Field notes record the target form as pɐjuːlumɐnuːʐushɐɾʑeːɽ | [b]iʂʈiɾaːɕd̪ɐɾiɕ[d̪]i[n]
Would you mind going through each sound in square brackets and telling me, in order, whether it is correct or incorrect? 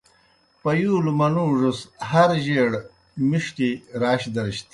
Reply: incorrect, incorrect, incorrect

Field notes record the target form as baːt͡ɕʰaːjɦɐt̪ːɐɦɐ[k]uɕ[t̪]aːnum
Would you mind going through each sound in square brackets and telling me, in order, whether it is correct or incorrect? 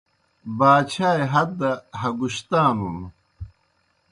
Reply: incorrect, correct

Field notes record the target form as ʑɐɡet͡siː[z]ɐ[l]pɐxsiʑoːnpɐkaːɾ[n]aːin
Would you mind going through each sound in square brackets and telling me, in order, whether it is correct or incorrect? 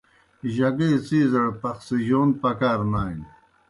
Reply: correct, incorrect, correct

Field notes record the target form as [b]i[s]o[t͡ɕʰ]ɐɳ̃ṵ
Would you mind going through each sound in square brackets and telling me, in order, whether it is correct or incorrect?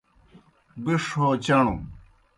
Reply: correct, incorrect, incorrect

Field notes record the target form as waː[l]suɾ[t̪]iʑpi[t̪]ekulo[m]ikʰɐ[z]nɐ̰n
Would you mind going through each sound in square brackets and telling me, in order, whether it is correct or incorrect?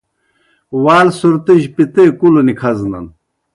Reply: correct, correct, correct, incorrect, correct

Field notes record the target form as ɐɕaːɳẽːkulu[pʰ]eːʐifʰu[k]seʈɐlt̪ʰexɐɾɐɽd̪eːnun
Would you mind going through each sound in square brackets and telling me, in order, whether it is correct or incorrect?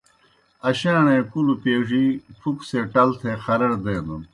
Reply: incorrect, correct

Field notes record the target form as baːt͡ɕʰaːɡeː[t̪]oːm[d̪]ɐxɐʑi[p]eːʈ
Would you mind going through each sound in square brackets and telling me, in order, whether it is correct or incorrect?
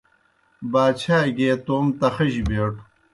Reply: correct, incorrect, incorrect

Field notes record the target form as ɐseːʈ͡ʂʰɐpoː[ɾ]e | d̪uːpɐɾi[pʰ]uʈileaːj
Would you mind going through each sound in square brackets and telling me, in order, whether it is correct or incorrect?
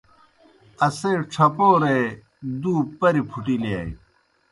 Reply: correct, correct

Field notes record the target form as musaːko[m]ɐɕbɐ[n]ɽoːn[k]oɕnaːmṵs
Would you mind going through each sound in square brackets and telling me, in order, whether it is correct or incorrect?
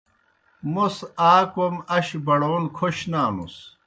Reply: correct, incorrect, incorrect

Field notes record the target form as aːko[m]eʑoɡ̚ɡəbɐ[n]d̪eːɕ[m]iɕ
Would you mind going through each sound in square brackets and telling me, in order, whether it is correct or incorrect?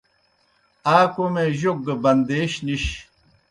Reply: correct, correct, incorrect

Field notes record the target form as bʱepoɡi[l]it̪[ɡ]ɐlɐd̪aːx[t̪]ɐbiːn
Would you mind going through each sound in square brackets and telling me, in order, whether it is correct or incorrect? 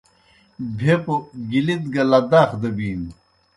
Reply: correct, correct, incorrect

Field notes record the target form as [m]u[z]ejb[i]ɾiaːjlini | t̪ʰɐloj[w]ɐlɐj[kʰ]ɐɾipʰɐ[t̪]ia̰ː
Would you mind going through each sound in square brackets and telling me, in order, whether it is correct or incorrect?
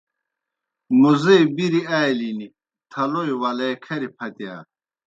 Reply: correct, correct, correct, correct, correct, correct

